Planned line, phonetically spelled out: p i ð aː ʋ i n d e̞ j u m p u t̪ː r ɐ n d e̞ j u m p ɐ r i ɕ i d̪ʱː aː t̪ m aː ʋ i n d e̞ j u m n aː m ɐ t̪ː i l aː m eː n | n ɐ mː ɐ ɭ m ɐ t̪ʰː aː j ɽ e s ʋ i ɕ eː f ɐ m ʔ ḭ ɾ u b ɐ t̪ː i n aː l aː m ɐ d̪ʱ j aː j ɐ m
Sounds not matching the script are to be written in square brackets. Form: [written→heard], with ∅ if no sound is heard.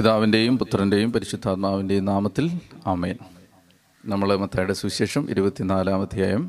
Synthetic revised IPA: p i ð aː ʋ i n d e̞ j u m p u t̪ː r ɐ n d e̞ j u m p ɐ [r→ɾ] i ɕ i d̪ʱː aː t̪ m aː ʋ i n d e̞ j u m n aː m ɐ t̪ː i l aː m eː n | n ɐ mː ɐ ɭ m ɐ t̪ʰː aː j ɽ e s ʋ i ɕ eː [f→ʂ] ɐ m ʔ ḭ ɾ u b ɐ t̪ː i n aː l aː m ɐ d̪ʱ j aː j ɐ m